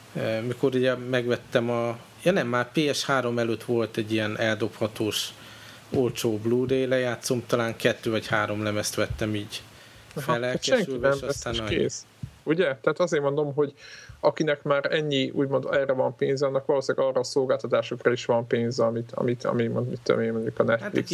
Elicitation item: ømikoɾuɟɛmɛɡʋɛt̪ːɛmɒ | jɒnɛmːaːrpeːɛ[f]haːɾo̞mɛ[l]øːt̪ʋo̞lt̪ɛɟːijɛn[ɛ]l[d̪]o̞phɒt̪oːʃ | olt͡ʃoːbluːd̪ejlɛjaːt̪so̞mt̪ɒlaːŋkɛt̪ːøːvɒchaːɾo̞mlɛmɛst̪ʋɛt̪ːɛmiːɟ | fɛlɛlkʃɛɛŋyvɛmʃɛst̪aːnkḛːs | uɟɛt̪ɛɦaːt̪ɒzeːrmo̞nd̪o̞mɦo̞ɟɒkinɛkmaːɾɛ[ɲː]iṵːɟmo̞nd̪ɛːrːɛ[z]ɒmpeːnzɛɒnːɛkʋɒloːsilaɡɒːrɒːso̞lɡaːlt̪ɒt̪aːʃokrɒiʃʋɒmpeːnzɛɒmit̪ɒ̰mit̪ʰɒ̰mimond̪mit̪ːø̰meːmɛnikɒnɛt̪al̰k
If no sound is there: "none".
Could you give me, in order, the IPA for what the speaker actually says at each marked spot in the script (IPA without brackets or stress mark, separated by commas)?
ʃ, l, ɛ, d̪, ɲː, v